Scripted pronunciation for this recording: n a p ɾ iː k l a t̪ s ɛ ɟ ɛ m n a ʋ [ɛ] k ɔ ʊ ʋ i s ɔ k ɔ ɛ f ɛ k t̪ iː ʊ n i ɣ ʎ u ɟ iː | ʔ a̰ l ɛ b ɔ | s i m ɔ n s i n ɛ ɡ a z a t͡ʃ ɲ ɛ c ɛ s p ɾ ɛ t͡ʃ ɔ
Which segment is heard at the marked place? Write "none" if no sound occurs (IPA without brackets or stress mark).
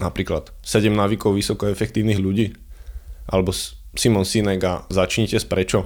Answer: i